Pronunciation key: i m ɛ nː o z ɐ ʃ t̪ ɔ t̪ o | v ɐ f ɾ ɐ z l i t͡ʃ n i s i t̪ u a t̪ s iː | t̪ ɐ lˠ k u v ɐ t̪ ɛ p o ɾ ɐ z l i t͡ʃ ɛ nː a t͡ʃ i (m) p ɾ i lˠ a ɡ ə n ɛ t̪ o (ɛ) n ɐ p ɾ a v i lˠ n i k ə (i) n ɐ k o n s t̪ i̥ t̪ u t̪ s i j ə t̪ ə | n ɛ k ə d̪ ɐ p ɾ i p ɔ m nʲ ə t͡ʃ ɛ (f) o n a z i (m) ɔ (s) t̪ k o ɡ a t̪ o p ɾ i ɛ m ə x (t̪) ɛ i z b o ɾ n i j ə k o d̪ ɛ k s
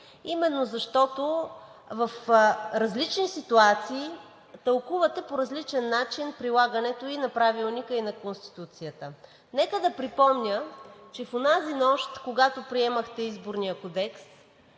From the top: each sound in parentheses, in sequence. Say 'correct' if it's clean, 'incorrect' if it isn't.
incorrect: n, incorrect: i, correct, correct, incorrect: n, incorrect: ʃ, correct

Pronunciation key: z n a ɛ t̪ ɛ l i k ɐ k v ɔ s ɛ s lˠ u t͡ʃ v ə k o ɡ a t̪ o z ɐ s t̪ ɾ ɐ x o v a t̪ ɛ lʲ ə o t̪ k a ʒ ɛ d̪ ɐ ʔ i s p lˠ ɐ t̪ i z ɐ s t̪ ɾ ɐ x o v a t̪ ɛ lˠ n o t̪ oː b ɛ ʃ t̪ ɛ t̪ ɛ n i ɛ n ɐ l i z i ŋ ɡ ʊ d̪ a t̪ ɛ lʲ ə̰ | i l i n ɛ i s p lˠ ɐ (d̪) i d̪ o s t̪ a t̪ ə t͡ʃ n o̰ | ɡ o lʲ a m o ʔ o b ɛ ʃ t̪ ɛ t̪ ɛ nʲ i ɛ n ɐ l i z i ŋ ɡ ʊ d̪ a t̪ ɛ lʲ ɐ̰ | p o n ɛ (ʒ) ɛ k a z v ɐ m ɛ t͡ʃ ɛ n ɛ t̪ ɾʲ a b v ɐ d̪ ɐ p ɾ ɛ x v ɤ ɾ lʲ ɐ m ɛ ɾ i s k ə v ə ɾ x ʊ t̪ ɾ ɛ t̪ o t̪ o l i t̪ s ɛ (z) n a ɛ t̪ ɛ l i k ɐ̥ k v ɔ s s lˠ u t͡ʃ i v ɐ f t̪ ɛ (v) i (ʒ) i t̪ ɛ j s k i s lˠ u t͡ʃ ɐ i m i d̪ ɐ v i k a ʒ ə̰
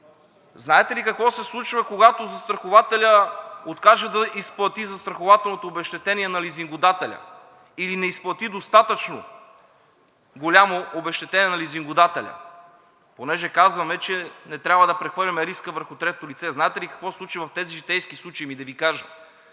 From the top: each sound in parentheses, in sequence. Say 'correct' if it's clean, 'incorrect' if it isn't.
incorrect: t̪, correct, correct, incorrect: z, correct

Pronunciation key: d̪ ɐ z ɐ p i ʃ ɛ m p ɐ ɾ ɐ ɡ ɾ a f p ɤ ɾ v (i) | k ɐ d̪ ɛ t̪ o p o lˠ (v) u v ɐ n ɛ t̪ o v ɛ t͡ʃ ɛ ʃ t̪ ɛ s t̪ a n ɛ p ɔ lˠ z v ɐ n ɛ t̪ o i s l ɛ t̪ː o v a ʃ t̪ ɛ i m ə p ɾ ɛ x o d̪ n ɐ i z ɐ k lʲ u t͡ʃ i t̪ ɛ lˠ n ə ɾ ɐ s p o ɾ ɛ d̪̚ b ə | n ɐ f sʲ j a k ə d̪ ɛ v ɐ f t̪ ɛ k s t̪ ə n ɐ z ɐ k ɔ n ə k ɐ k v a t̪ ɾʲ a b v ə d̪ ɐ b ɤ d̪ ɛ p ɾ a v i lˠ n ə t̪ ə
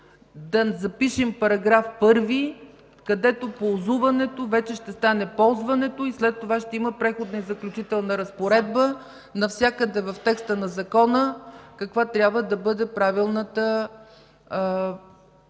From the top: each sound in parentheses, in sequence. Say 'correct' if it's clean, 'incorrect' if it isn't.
correct, incorrect: z

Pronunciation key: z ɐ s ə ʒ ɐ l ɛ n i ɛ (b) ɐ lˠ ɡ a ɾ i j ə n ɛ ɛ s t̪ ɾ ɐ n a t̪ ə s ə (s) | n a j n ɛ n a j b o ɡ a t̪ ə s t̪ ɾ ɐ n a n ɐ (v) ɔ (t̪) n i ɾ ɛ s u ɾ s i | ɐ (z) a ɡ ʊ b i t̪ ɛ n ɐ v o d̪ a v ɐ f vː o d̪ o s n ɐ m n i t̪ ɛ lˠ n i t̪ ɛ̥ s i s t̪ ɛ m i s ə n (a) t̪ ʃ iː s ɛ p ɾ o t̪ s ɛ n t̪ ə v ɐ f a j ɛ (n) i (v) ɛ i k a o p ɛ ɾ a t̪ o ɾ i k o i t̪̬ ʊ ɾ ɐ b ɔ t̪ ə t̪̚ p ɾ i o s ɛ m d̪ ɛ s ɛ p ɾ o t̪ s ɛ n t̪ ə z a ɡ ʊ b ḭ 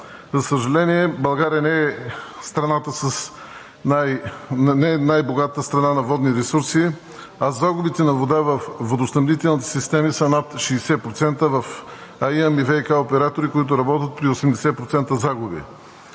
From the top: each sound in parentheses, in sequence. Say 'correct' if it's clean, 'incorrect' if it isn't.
correct, correct, correct, incorrect: d̪, correct, correct, incorrect: m, correct

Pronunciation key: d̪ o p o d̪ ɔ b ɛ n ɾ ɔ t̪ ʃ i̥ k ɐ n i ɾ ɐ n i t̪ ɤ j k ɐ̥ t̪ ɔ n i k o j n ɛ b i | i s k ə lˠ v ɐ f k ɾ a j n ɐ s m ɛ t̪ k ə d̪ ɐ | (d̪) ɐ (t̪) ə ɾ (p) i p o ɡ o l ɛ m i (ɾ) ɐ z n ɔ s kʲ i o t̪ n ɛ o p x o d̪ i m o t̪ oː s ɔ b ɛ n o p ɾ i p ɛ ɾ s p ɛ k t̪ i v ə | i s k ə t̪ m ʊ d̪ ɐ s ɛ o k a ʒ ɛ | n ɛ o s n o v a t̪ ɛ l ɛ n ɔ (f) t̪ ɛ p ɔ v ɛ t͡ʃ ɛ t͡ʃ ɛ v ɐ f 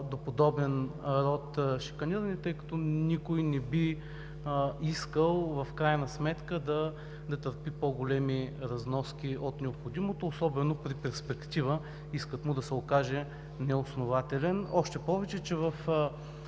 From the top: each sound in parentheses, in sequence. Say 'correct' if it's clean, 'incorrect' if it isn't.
correct, correct, correct, correct, incorrect: ʃ

